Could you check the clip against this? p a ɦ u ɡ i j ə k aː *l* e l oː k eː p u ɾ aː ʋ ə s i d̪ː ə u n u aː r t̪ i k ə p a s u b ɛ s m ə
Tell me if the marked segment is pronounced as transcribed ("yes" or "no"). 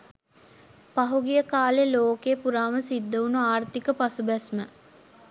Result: yes